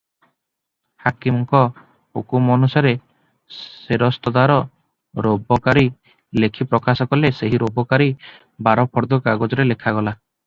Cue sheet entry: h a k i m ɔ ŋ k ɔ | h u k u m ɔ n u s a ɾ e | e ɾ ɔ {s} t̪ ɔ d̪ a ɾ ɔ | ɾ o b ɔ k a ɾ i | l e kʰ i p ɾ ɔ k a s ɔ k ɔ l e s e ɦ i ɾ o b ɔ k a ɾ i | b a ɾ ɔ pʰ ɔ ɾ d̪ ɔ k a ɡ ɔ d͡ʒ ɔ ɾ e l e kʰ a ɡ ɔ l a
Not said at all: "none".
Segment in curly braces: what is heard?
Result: s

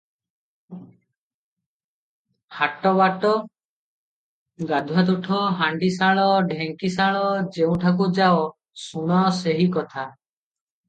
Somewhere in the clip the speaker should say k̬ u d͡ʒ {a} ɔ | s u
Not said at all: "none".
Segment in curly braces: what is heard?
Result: a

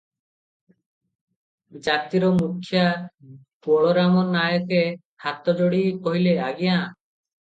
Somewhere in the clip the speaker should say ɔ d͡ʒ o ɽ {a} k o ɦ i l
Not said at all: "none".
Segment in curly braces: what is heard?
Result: i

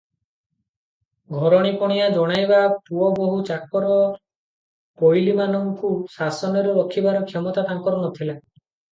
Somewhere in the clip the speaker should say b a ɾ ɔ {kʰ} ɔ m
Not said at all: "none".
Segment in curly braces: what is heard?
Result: kʰ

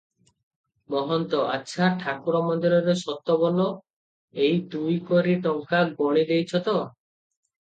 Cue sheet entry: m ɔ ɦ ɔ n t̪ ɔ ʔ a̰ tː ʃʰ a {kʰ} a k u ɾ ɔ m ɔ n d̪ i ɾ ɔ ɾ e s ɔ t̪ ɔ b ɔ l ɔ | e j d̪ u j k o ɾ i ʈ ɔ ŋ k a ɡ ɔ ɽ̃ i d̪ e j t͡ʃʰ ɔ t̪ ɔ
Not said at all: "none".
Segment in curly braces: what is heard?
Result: ʈʰ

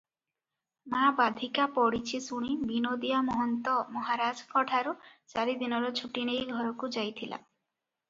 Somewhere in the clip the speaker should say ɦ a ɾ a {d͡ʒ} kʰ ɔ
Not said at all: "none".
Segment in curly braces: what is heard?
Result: d͡ʒ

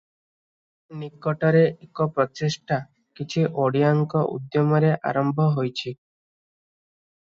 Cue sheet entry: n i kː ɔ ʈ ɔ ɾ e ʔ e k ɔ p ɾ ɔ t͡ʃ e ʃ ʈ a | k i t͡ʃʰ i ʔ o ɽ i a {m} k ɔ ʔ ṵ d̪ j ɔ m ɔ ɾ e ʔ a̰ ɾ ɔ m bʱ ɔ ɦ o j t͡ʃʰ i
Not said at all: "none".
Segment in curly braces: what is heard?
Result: ŋ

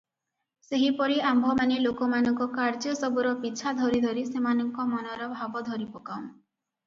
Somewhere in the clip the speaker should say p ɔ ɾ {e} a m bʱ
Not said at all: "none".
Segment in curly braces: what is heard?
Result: i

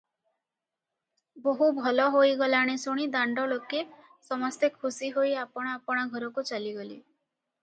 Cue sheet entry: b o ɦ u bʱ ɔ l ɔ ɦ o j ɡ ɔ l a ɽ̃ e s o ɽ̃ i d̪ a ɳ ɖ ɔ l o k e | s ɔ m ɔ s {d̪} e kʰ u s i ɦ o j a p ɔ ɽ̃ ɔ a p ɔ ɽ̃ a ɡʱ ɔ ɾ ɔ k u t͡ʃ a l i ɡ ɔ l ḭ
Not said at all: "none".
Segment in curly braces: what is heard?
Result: t̪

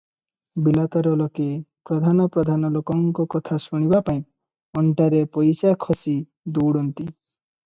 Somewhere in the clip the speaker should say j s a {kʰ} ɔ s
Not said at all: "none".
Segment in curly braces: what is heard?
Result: kʰ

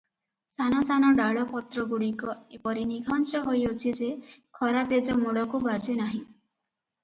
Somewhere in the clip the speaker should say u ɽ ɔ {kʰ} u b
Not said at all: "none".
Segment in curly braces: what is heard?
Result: k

